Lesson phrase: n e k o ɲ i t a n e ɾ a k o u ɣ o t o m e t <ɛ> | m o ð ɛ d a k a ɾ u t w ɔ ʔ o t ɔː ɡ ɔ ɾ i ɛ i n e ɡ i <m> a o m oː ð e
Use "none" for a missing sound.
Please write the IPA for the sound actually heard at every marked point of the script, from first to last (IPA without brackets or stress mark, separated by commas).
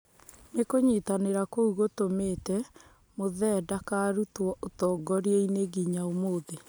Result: ɛ, ɲ